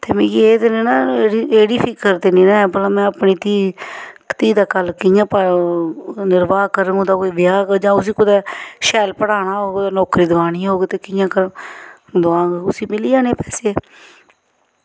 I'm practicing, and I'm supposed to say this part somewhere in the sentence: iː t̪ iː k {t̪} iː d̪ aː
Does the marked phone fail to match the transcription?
no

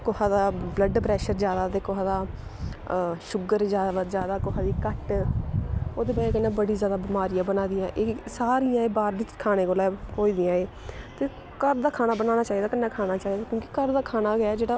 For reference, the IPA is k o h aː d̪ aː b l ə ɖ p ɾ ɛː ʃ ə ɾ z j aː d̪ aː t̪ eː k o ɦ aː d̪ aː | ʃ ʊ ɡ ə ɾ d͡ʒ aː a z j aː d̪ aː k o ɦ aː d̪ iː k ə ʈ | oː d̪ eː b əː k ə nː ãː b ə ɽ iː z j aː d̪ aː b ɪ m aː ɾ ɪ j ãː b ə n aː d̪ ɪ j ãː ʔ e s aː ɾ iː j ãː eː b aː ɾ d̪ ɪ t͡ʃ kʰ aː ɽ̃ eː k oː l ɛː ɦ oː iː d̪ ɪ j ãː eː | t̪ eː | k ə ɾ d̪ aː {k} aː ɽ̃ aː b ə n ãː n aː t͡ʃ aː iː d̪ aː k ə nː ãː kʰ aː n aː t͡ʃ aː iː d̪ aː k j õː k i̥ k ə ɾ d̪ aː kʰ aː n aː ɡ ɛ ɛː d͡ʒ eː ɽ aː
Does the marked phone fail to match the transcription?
yes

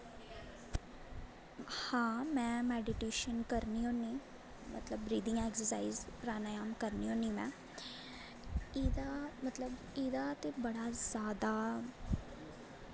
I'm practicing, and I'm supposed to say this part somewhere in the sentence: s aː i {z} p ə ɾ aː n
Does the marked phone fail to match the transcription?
no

